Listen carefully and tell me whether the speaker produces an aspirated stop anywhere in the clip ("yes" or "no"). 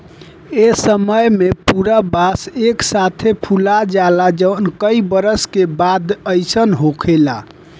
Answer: yes